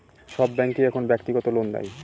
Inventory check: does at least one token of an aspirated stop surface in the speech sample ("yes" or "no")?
yes